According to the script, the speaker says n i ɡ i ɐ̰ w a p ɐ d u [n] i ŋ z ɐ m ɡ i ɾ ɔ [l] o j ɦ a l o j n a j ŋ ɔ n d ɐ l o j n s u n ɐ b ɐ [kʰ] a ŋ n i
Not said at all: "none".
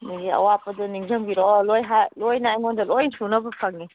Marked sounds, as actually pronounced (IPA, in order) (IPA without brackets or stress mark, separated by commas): n, l, pʰ